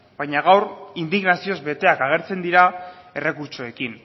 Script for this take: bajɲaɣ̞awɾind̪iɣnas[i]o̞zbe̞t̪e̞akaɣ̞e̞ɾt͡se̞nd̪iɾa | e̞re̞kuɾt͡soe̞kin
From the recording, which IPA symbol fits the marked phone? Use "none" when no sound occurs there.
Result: i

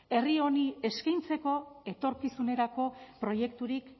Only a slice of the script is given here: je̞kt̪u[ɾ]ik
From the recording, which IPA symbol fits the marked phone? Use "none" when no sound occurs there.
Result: ɾ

